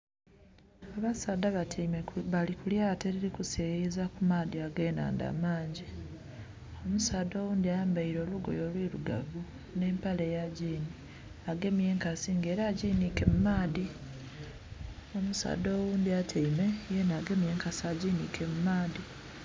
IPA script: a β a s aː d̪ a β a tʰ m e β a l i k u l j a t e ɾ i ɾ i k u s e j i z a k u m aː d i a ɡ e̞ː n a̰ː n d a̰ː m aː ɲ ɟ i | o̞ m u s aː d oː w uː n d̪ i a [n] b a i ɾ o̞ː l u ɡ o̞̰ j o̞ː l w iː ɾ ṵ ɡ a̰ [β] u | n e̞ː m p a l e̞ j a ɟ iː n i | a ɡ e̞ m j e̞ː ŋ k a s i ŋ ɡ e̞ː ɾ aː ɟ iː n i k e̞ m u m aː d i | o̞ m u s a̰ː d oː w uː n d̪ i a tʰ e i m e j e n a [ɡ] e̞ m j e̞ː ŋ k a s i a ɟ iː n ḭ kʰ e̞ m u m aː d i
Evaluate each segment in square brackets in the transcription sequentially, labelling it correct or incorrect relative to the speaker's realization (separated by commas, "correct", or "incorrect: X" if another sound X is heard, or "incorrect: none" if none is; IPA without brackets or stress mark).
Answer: incorrect: m, incorrect: v, correct